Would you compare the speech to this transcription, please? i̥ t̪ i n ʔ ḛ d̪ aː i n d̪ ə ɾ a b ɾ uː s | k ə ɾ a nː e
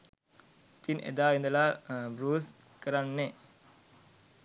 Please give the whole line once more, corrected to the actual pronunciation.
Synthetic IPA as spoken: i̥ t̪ i n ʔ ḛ d̪ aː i n d̪ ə l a b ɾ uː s | k ə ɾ a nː e